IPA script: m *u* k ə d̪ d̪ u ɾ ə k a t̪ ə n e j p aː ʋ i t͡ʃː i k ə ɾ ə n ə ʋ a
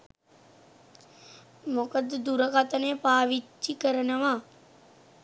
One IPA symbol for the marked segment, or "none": o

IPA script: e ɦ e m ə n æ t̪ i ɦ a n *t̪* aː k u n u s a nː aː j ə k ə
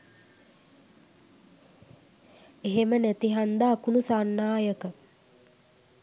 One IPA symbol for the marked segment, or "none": d̪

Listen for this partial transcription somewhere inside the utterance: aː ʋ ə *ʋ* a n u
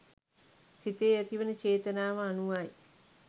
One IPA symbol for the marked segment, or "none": none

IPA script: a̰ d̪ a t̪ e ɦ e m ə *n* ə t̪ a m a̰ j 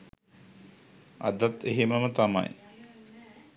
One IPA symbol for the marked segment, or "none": m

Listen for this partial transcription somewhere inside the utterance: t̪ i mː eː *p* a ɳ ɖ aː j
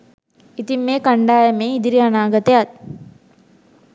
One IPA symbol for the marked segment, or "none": k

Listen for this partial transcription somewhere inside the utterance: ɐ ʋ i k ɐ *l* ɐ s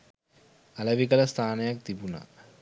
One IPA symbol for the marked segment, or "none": l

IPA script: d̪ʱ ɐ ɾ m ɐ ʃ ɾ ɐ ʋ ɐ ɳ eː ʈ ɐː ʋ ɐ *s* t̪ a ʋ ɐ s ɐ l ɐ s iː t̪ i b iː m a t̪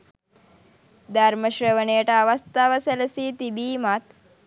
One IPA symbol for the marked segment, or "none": s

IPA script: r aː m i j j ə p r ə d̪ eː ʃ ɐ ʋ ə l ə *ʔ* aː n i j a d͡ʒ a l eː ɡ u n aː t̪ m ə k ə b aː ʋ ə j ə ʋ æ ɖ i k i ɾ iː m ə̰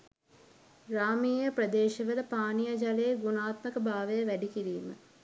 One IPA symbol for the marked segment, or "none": p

